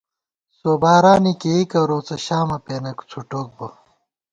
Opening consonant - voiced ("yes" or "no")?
no